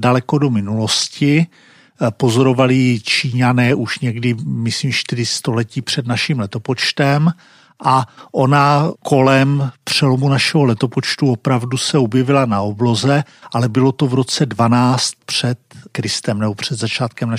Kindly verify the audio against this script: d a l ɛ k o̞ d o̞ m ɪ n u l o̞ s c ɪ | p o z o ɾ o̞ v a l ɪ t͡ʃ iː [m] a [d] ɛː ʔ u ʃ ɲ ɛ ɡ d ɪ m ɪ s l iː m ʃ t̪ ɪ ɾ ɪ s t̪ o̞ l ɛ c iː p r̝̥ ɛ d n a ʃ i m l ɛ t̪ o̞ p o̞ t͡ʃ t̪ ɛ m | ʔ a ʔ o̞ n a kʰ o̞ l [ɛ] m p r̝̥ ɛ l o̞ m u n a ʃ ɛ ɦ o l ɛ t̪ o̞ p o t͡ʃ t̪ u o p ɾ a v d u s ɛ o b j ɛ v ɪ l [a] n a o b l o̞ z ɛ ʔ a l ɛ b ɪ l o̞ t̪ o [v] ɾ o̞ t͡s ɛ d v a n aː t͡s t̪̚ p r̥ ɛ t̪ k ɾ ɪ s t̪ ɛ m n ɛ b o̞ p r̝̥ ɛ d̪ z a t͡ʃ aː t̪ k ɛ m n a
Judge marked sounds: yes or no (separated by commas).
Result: no, no, yes, yes, yes